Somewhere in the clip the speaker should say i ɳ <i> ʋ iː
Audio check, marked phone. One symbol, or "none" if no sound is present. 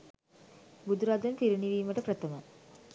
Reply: i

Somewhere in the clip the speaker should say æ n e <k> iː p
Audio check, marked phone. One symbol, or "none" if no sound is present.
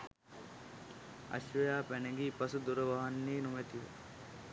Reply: ɡ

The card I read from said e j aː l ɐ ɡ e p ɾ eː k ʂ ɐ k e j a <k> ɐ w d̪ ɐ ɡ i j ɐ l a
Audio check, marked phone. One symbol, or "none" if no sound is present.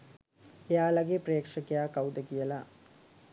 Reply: k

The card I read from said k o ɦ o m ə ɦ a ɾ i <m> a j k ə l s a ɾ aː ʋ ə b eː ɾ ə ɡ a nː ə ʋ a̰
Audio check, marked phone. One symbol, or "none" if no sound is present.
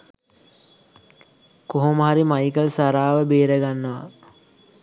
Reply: m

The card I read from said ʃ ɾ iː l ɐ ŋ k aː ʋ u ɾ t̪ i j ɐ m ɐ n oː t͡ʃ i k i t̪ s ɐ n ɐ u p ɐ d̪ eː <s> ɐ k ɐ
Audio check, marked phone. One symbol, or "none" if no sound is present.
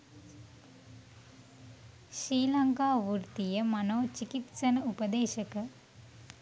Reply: ʃ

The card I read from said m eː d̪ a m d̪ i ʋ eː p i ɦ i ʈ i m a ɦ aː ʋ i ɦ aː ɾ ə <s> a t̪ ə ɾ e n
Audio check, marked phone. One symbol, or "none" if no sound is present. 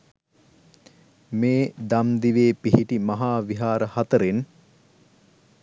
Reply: h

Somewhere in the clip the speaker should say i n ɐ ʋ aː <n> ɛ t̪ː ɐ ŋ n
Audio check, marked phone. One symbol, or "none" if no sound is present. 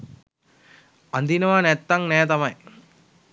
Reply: n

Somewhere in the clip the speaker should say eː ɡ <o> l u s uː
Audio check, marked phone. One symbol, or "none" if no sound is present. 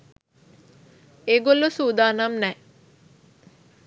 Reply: o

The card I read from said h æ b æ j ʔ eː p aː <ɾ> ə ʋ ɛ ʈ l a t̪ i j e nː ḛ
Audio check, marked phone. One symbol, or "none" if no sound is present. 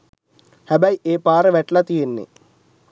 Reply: ɾ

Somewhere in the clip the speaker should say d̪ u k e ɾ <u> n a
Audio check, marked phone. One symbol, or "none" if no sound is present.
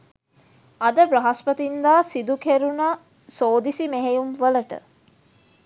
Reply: u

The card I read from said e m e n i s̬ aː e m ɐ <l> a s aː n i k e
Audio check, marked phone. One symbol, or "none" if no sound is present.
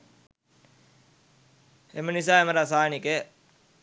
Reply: ɾ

